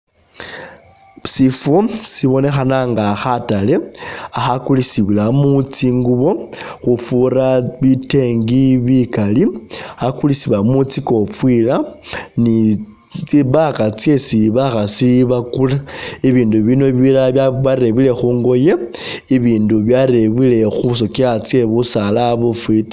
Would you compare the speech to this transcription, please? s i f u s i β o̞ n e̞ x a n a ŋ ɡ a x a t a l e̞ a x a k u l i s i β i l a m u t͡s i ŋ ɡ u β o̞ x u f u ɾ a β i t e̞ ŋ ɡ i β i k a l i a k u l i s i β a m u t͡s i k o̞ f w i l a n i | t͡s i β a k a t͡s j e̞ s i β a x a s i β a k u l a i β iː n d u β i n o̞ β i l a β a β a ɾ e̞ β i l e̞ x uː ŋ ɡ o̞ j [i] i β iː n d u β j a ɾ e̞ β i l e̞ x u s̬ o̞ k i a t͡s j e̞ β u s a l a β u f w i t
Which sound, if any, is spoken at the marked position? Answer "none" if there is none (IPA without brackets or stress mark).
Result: e